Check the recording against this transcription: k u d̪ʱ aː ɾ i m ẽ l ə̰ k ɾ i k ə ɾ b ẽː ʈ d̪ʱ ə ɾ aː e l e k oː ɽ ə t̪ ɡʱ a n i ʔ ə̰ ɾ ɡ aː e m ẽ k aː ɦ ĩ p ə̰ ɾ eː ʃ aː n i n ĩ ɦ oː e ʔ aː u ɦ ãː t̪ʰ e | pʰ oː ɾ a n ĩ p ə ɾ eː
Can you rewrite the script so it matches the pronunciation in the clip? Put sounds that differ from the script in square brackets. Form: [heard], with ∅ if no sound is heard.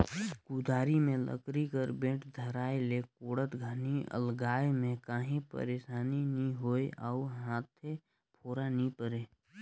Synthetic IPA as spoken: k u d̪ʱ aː ɾ i m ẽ l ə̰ k ɾ i k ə ɾ b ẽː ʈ d̪ʱ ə ɾ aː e l e k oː ɽ ə t̪ ɡʱ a n i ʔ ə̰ [l] ɡ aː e m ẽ k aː ɦ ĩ p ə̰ ɾ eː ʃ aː n i n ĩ ɦ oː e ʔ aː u ɦ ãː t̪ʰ e | pʰ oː ɾ a n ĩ p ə ɾ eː

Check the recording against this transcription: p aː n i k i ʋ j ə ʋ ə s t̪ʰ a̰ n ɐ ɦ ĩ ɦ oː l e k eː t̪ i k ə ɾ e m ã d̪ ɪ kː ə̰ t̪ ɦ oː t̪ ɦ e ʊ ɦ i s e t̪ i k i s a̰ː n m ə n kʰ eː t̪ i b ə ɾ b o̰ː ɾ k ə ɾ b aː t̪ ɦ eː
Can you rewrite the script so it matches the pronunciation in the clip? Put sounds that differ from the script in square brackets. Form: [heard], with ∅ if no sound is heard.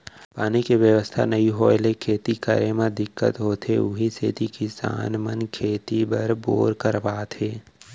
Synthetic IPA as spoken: p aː n i k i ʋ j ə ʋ ə s t̪ʰ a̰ n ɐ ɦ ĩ ɦ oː l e [kʰ] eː t̪ i k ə ɾ e m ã d̪ ɪ kː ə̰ t̪ ɦ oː t̪ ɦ e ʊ ɦ i s e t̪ i k i s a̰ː n m ə n kʰ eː t̪ i b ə ɾ b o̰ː ɾ k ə ɾ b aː t̪ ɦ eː

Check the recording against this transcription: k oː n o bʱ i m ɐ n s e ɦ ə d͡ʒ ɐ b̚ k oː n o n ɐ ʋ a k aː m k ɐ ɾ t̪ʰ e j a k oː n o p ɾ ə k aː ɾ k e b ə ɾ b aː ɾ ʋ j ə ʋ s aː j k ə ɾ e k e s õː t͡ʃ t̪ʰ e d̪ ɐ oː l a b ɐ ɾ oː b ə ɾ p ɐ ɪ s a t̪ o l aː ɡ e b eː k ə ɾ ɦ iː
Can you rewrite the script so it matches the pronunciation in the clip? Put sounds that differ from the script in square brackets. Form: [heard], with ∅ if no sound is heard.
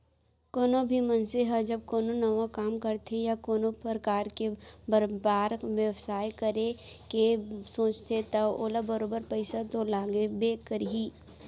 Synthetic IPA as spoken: k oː n o bʱ i m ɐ n s e ɦ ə d͡ʒ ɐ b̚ k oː n o n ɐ ʋ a k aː m k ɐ ɾ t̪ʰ e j a k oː n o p ɾ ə k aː ɾ k e b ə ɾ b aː ɾ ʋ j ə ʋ s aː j k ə ɾ e k e s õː t͡ʃ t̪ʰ e [t̪] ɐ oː l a b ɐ ɾ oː b ə ɾ p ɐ ɪ s a t̪ o l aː ɡ e b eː k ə ɾ ɦ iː

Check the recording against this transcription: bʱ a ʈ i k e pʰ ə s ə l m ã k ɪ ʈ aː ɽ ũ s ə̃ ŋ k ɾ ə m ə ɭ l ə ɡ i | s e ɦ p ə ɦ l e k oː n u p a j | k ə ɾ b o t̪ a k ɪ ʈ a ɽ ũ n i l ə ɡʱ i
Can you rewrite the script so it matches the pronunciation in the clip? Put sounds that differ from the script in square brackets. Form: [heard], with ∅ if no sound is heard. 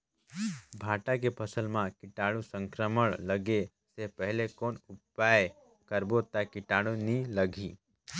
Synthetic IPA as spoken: bʱ a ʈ [a] k e pʰ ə s ə l m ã k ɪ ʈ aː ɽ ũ s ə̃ ŋ k ɾ ə m ə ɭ l ə ɡ [e] | s e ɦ p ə ɦ l e k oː n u p a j | k ə ɾ b o t̪ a k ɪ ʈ a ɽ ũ n i l ə ɡʱ i

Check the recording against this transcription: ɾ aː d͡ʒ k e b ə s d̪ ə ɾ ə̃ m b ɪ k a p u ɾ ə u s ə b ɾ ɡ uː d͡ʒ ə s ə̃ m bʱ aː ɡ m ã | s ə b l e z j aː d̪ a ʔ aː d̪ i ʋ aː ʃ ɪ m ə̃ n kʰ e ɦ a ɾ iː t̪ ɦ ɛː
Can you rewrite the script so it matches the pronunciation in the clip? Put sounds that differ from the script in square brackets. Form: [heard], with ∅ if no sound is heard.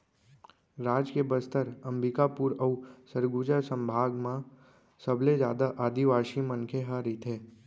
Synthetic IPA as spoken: ɾ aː d͡ʒ k e b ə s [t̪] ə ɾ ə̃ m b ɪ k a p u ɾ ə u s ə [∅] ɾ ɡ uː d͡ʒ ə s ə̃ m bʱ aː ɡ m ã | s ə b l e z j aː d̪ a ʔ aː d̪ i ʋ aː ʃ [i] m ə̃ n kʰ e ɦ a ɾ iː t̪ ɦ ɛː

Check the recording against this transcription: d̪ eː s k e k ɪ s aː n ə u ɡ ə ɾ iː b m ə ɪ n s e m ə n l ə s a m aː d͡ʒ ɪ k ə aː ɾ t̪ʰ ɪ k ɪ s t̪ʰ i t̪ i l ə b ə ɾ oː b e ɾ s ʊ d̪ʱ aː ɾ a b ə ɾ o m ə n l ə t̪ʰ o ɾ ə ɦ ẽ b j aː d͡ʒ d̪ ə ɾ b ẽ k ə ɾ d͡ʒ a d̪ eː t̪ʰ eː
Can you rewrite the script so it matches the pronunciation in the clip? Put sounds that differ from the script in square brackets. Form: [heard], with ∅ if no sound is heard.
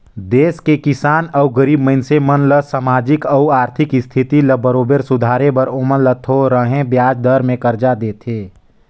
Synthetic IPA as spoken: d̪ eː s k e k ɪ s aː n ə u ɡ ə ɾ iː b m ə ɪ n s e m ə n l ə s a m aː d͡ʒ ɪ k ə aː ɾ t̪ʰ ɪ k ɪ s t̪ʰ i t̪ i l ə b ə ɾ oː b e ɾ s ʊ d̪ʱ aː ɾ [e] b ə ɾ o m ə n l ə t̪ʰ o ɾ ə ɦ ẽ b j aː d͡ʒ d̪ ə ɾ [m] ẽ k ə ɾ d͡ʒ a d̪ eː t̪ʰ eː

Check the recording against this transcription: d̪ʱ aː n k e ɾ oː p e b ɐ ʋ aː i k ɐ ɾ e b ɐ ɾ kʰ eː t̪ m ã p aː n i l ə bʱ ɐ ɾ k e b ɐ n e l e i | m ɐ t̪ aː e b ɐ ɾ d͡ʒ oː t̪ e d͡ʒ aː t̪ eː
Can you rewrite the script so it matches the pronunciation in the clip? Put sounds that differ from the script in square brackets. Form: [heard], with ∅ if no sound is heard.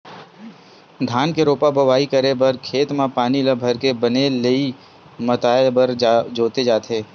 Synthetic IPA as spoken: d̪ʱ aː n k e ɾ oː p [a] b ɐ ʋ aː i k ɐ ɾ e b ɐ ɾ kʰ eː t̪ m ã p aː n i l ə bʱ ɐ ɾ k e b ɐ n e l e i | m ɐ t̪ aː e b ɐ ɾ d͡ʒ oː t̪ e d͡ʒ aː t̪ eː

